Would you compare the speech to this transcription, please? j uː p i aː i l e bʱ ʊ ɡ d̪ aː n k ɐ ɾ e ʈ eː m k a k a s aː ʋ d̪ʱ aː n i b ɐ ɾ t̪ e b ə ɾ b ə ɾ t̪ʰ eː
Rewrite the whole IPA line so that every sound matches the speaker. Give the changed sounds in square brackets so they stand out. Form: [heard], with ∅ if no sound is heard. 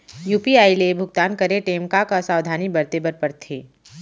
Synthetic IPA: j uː p i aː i l e bʱ ʊ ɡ [t̪] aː n k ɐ ɾ e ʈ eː m k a k a s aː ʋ d̪ʱ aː n i b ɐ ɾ t̪ e b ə ɾ [p] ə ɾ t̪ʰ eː